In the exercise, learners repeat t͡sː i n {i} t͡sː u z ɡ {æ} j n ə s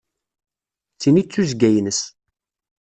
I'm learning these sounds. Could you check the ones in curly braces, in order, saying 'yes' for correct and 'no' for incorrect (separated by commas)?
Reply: yes, yes